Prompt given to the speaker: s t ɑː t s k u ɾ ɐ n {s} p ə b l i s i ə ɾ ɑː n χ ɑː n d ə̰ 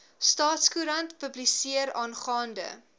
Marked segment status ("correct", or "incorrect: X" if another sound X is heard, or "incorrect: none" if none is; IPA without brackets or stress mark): incorrect: t